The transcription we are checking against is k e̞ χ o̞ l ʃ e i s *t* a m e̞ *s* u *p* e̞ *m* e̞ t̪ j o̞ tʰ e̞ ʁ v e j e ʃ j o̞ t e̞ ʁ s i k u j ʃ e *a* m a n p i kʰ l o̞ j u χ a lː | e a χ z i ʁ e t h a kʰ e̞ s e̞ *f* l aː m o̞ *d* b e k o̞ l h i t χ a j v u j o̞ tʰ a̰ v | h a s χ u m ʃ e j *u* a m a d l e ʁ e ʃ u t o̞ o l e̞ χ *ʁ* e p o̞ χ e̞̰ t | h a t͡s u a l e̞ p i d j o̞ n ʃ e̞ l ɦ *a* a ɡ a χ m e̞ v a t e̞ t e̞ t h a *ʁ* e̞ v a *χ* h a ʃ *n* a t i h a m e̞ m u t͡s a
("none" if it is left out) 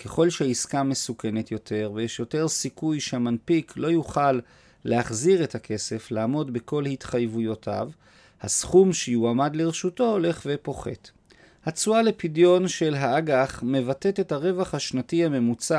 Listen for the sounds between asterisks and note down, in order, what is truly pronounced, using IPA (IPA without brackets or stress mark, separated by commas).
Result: k, s, k, n, a, f, d, u, v, a, ʁ, χ, n